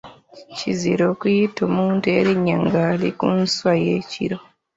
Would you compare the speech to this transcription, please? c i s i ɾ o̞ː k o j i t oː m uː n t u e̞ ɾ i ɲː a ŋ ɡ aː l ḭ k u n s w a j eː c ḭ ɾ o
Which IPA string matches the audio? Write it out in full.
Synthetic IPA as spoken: c i z i ɾ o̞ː k u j i t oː m uː n t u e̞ ɾ i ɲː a ŋ ɡ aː l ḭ k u n s w a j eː c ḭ ɾ o

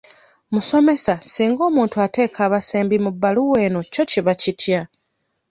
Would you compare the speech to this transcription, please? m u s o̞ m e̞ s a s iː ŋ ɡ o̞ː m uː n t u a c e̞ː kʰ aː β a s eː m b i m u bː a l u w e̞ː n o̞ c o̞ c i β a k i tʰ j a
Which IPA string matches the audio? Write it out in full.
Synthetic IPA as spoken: m u s o̞ m e̞ s a s iː ŋ ɡ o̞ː m uː n t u a t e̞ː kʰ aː β a s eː m b i m u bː a l u w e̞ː n o̞ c o̞ c i β a c i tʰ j a

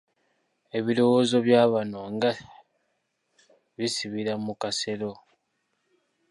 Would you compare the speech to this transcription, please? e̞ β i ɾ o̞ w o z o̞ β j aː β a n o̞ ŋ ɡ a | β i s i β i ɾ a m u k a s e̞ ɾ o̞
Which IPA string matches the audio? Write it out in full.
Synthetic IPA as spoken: e̞ β i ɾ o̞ w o z o̞ β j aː β a n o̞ ŋ ɡ a | β i s i β i ɾ a m u k a s e̞ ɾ o̞

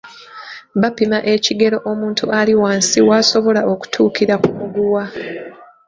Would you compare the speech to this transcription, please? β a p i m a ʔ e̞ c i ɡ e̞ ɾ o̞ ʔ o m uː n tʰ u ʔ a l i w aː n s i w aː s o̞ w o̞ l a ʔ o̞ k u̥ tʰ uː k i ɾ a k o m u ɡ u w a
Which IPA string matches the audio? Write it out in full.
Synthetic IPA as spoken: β a p i m a ʔ e̞ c i ɡ e̞ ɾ o̞ ʔ o m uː n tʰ u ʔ a l i w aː n s i w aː s o̞ β o̞ l a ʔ o̞ k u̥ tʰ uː k i ɾ a k u m u ɡ u w a

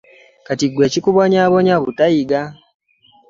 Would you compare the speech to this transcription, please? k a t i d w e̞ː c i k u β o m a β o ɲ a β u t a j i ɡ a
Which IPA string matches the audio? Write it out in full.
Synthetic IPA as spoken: k a t i ɡ w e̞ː c i k u β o ɲ a β o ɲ a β u t a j i ɡ a

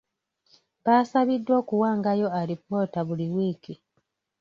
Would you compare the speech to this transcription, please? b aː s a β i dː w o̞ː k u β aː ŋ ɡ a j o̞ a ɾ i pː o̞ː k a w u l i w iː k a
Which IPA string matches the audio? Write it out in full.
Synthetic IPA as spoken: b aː s a β i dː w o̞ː k u w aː ŋ ɡ a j o̞ a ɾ i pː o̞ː t a β u l i w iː k i

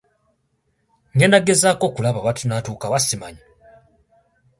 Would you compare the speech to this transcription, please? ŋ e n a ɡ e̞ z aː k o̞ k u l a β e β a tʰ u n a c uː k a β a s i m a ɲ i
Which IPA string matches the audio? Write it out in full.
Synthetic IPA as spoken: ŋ e n a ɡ e̞ z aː k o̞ k u l a β a β a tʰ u n a t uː k a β a s i m a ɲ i

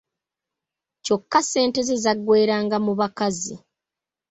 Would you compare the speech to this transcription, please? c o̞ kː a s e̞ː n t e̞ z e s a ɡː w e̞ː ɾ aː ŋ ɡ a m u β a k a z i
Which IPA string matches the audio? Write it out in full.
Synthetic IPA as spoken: c o̞ kː a s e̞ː n t e̞ z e z a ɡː w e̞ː ɾ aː ŋ ɡ a m u β a k a z i

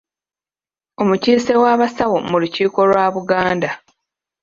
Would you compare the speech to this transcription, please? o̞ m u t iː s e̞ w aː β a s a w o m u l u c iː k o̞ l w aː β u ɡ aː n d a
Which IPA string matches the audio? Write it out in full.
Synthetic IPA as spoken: o̞ m u c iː s e̞ w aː β a s a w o m u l u c iː k o̞ l w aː β u ɡ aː n d a

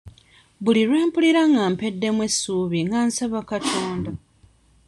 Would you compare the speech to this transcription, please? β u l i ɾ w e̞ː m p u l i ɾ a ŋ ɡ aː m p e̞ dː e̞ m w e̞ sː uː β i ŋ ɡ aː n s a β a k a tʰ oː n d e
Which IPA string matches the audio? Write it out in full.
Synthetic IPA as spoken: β u l i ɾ w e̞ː m p u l i ɾ a ŋ ɡ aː m p e̞ dː e̞ m w e̞ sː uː β i ŋ ɡ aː n s a β a k a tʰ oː n d a

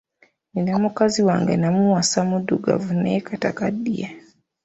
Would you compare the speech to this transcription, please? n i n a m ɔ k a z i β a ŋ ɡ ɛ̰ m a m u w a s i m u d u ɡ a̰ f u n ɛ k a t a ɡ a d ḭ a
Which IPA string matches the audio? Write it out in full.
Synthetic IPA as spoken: n i n a m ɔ k a z i w a ŋ ɡ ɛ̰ n a m u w a s a m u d u ɡ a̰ v u n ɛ k a t a k a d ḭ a

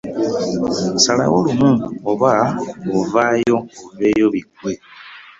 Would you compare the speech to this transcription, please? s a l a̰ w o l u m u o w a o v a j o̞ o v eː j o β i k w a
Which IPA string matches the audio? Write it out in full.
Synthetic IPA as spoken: s a l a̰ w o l u m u o β a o v a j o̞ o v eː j o β i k w e

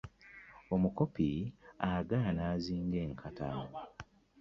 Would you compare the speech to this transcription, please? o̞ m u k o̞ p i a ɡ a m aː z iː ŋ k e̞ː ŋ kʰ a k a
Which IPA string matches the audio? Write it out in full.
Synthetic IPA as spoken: o̞ m u k o̞ p i a ɡ a n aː z iː ŋ ɡ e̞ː ŋ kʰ a t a

